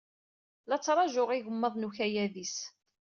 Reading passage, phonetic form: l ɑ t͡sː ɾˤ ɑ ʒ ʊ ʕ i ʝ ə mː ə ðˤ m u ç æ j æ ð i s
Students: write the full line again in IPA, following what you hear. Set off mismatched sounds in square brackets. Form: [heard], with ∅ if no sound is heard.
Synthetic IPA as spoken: l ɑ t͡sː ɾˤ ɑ ʒ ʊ [ʁ] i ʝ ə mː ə ðˤ [n] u ç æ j æ ð i s